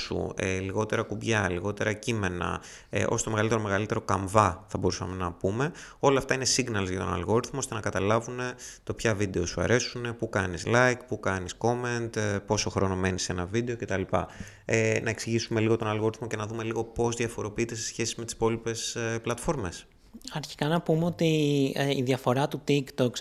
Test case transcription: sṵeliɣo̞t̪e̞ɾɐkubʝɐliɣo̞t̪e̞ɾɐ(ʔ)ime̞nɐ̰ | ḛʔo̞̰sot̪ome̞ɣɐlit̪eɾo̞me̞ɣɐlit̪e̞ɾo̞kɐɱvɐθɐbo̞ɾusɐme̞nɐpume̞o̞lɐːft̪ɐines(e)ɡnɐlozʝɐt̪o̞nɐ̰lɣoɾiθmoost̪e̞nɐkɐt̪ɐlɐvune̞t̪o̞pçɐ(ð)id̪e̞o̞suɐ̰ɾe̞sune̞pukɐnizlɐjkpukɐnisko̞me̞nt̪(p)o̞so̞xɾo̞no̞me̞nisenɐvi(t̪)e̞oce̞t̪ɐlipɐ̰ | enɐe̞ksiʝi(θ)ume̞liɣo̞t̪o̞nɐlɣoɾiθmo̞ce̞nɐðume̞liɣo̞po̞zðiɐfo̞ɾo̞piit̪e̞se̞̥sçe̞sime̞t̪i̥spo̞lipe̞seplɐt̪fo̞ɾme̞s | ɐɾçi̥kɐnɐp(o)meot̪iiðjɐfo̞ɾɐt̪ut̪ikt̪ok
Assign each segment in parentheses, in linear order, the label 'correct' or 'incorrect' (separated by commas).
incorrect, incorrect, incorrect, correct, incorrect, incorrect, incorrect